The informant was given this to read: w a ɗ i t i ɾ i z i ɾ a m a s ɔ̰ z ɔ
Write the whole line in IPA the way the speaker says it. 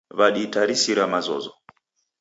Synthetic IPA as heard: β a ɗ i t a ɾ i s i ɾ a m a z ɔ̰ z ɔ

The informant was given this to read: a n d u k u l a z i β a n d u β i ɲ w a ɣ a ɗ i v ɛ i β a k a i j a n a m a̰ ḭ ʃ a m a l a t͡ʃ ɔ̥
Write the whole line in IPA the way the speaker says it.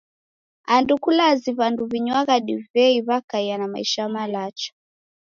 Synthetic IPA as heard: a n d u k u l a z i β a n d u β i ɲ w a ɣ a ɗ i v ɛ i β a k a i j a n a m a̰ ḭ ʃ a m a l a t͡ʃ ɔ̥

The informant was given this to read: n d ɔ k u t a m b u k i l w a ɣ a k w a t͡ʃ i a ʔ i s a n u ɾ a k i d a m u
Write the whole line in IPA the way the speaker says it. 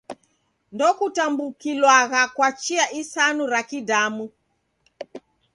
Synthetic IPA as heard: n d ɔ k u t a m b u k i l w a ɣ a k w a t͡ʃ i a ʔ i s a n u ɾ a k i d a m u

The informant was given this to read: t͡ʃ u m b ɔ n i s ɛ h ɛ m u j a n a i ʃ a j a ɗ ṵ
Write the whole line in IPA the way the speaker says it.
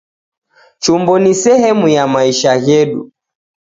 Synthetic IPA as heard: t͡ʃ u m b ɔ n i s ɛ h ɛ m u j a m a i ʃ a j ɛ ɗ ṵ

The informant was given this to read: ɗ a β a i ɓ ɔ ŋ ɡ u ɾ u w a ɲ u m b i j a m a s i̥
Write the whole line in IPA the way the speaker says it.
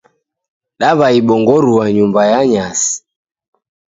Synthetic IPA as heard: ɗ a β a i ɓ ɔ ŋ ɡ ɔ ɾ u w a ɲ u m b a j a ɲ a s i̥

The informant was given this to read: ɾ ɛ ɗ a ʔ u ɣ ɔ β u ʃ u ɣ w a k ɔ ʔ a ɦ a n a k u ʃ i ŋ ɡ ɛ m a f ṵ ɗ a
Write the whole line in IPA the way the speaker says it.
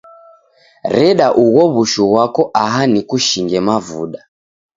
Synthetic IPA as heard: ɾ ɛ ɗ a ʔ u ɣ ɔ β u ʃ u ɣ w a k ɔ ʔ a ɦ a n i k u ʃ i ŋ ɡ ɛ m a v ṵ ɗ a

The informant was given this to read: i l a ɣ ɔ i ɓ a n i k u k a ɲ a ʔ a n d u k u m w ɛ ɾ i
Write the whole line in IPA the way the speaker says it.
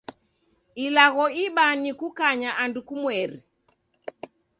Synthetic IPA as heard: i l a ɣ ɔ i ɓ a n i k u k a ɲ a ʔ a n d u k u m w ɛ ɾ i

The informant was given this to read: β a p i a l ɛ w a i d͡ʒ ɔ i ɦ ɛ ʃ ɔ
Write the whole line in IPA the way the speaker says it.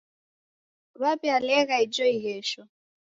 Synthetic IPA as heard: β a p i a l ɛ ɣ a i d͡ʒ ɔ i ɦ ɛ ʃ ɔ

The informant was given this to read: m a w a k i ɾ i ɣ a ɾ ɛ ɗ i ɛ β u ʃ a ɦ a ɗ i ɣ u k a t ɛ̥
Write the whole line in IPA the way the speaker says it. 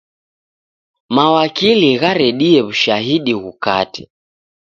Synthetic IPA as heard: m a w a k i l i ɣ a ɾ ɛ ɗ i ɛ β u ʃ a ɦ i ɗ i ɣ u k a t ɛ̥

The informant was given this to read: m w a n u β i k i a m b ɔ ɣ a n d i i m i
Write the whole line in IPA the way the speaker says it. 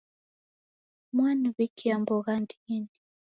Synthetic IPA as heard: m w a n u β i k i a m b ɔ ɣ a n d i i n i

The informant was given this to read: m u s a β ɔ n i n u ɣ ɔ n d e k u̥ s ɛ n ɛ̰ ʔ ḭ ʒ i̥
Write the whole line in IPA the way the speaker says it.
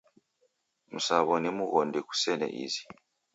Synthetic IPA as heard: m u s a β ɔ n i m u ɣ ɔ n d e k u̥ s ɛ n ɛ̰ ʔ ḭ z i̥

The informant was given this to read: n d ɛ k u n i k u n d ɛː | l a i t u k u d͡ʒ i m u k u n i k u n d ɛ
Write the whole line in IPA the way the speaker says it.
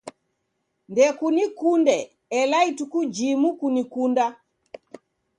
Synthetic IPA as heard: n d ɛ k u n i k u n d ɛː | l a i t u k u d͡ʒ i m u k u n i k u n d a

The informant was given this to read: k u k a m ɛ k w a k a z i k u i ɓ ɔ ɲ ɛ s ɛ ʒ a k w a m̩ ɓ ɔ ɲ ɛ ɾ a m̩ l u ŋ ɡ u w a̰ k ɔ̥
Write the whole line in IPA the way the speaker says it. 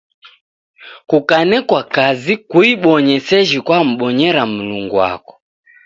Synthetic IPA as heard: k u k a n ɛ k w a k a z i k u i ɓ ɔ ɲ ɛ s ɛ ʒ i k w a m̩ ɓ ɔ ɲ ɛ ɾ a m̩ l u ŋ ɡ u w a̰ k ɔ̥

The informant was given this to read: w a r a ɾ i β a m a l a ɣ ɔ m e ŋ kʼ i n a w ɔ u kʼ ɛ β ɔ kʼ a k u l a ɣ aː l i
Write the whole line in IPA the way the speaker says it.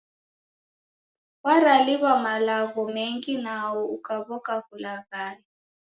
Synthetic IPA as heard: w a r a l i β a m a l a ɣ ɔ m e ŋ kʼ i n a w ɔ u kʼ a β ɔ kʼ a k u l a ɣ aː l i

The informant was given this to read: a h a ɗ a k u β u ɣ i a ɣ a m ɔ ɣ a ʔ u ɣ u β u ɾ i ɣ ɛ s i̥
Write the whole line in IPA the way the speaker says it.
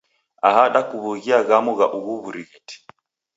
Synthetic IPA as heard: a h a ɗ a k u β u ɣ i a ɣ a m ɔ ɣ a ʔ u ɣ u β u ɾ i ɣ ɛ t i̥

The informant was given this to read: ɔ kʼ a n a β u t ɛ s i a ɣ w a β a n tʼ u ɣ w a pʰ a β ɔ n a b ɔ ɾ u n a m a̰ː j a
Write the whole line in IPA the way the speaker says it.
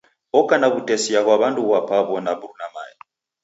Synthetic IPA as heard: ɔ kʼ a n a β u t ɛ s i a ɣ w a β a n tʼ u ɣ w a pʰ a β ɔ n a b u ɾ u n a m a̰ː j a

